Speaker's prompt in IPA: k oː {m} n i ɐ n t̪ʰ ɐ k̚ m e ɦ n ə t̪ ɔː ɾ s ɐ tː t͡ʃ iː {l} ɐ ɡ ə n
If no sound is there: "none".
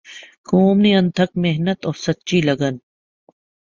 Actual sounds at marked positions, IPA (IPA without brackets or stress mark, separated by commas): m, l